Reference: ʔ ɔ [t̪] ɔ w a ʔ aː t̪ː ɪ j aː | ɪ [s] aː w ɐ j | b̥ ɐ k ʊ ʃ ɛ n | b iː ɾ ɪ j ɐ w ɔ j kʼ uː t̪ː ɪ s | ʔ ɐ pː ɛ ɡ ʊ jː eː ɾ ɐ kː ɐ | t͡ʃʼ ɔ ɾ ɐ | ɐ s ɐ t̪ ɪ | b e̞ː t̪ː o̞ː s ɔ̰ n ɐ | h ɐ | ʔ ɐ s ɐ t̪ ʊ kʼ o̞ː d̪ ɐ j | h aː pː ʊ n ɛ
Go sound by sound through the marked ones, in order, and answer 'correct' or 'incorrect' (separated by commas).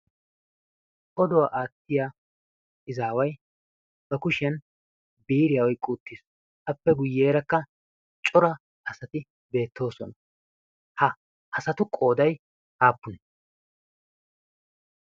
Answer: incorrect, incorrect